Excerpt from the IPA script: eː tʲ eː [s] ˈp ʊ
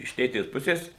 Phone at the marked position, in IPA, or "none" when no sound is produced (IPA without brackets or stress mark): s